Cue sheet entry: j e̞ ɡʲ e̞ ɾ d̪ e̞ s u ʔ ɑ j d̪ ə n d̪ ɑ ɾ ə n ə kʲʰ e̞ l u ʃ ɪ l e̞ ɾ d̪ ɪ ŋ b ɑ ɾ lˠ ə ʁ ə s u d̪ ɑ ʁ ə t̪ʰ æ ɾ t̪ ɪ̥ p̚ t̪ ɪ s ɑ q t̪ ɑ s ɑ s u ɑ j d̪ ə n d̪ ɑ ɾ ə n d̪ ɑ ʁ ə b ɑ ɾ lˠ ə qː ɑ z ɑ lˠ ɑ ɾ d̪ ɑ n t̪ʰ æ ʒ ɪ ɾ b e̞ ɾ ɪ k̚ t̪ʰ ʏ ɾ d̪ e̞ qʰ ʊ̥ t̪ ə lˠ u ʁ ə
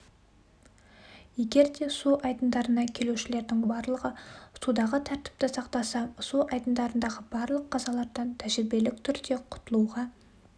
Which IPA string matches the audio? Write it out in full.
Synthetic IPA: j e̞ ɡʲ e̞ ɾ d̪ e̞ s u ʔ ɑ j d̪ ə n d̪ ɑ ɾ ə n ɑ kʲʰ e̞ l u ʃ ɪ l e̞ ɾ d̪ ɪ ŋ b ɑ ɾ lˠ ə ʁ ə s u d̪ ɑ ʁ ə t̪ʰ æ ɾ t̪ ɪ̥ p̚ t̪ ɪ s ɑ q t̪ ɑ s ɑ s u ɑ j d̪ ə n d̪ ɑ ɾ ə n d̪ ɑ ʁ ə b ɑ ɾ lˠ ə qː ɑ z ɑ lˠ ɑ ɾ d̪ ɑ n t̪ʰ æ ʒ ɪ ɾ b e̞ l ɪ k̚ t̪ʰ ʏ ɾ d̪ e̞ qʰ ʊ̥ t̪ ə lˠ u ʁ ɑ